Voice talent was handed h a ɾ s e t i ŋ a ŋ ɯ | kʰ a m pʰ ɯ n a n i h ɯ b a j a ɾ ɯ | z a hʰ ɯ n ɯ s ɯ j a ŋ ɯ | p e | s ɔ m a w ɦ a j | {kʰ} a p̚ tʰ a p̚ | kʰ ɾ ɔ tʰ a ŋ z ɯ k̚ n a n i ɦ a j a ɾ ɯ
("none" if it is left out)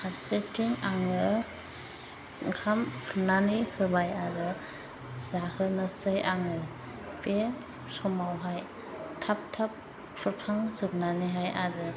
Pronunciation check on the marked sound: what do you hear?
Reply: tʰ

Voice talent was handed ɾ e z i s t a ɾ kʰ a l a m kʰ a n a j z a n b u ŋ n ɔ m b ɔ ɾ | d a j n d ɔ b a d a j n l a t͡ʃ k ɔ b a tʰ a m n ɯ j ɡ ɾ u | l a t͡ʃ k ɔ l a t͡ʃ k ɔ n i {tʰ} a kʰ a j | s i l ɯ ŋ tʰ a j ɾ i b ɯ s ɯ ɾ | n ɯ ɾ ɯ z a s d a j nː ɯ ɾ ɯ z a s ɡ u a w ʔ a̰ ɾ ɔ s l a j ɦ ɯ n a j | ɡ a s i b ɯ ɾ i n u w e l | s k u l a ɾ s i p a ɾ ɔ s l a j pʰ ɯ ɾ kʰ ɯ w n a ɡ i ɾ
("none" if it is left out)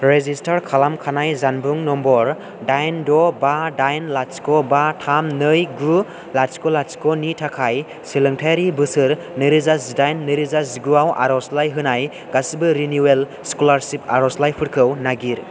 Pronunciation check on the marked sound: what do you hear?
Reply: tʰ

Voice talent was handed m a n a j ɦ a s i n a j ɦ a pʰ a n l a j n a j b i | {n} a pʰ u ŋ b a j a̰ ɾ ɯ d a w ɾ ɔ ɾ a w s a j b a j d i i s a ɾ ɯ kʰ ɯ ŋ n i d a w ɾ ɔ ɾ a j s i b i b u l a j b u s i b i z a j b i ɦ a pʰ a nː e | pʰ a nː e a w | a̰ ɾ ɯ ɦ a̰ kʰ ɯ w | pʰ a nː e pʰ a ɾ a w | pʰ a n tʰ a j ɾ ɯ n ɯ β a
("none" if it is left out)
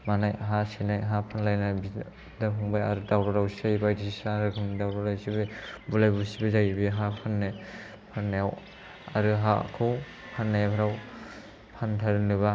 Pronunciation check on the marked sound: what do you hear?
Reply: d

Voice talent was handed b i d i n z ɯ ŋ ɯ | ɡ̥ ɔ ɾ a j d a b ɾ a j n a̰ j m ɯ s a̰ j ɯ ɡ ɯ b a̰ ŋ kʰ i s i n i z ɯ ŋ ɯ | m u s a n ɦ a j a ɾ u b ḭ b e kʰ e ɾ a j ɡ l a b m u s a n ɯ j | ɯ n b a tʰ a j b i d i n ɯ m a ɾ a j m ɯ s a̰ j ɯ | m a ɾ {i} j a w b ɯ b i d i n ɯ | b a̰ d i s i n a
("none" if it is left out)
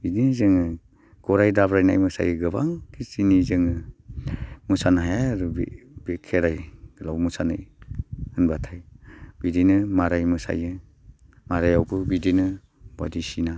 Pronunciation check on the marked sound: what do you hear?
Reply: a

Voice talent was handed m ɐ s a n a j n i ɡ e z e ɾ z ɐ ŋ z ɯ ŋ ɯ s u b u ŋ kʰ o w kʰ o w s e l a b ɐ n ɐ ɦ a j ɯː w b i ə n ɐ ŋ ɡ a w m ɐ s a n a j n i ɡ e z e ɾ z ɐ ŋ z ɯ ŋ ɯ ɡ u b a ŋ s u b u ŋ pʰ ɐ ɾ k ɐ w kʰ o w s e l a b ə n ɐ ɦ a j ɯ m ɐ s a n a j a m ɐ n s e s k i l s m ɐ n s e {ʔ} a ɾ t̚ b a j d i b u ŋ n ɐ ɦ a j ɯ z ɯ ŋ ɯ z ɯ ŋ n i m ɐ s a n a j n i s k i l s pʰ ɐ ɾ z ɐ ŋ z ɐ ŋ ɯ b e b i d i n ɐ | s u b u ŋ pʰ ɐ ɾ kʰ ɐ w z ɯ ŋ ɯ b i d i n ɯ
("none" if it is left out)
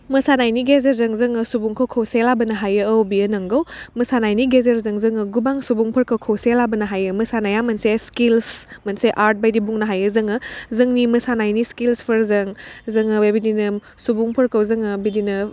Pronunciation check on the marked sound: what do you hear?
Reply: ʔ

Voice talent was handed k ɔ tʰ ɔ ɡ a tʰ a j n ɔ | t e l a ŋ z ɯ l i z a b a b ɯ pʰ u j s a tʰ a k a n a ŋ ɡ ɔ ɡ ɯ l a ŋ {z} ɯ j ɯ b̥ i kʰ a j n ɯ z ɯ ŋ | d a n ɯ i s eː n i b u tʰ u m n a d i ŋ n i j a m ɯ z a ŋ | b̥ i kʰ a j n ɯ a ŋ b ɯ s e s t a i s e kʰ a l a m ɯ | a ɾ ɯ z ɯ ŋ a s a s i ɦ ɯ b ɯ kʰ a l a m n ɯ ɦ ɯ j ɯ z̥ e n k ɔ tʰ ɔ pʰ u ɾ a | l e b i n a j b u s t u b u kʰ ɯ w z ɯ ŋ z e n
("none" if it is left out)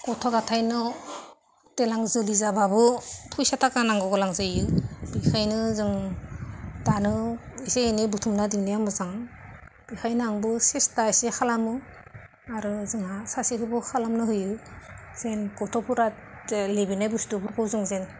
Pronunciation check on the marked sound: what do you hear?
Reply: z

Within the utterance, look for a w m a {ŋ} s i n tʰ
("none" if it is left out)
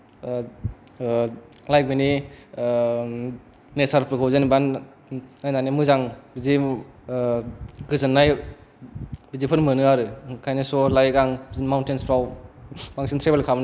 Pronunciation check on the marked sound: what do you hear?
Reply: ŋ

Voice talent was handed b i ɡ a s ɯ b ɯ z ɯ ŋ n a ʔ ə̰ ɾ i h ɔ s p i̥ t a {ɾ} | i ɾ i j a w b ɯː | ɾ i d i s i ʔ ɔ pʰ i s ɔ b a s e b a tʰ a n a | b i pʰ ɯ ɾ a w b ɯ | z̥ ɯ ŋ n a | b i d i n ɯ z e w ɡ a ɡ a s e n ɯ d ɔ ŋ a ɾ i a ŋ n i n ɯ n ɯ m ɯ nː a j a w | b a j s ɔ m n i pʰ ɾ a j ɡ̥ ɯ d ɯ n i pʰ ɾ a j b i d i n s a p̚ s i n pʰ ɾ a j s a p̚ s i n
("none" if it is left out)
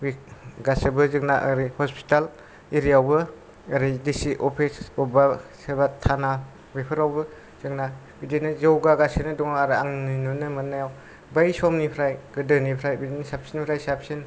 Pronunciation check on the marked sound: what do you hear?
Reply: l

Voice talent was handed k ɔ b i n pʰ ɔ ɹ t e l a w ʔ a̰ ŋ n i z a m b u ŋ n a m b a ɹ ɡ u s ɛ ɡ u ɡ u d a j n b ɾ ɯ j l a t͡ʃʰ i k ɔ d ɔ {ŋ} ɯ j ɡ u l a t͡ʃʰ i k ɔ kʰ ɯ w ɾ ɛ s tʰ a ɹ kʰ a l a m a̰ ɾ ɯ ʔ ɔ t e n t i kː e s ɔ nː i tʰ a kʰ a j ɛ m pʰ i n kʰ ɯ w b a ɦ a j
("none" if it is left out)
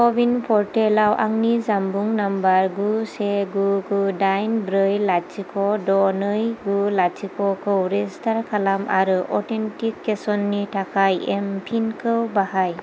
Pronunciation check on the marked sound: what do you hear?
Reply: n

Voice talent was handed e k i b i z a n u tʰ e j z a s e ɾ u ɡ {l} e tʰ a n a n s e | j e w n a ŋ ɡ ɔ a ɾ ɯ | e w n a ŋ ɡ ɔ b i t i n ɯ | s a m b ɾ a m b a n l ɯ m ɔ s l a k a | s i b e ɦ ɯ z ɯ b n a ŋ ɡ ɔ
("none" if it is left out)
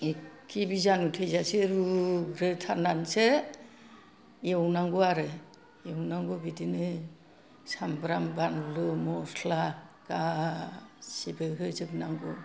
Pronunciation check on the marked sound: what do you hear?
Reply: ɾ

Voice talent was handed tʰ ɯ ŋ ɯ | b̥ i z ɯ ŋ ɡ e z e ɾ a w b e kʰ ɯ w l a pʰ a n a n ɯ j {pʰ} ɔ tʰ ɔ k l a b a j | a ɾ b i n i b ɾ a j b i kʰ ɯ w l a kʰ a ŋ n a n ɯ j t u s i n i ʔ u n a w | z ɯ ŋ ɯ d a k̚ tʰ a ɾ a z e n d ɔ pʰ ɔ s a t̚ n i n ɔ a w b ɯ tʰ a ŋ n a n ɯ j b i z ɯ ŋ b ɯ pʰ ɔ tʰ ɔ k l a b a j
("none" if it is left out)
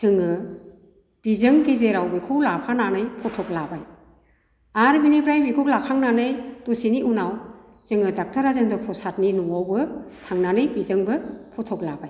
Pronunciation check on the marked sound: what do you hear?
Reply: pʰ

